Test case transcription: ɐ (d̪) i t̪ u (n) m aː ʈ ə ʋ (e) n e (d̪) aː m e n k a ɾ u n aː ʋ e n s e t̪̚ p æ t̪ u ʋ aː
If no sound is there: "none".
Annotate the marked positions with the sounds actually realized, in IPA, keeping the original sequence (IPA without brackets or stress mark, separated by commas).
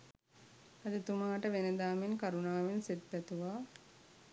d̪, none, e, d̪